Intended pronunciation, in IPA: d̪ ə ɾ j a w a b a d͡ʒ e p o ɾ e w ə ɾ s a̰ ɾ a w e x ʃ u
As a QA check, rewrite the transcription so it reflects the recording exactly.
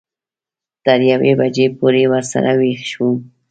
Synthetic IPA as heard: t̪ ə ɾ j a w e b a d͡ʒ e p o ɾ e w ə ɾ s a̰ ɾ a w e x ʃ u